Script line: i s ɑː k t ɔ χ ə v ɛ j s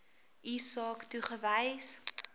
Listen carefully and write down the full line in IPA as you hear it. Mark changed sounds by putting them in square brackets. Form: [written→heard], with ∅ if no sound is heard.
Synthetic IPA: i s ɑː k t [ɔ→u] χ ə v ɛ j s